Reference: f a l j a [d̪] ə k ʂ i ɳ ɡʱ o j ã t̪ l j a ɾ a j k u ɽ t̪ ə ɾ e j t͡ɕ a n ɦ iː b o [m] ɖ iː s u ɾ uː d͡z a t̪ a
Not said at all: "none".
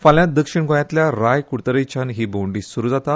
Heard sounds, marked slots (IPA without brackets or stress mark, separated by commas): d̪, ɳ